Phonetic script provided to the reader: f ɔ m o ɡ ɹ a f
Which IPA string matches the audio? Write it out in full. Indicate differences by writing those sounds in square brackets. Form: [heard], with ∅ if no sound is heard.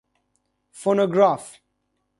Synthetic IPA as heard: f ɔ [n] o ɡ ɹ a f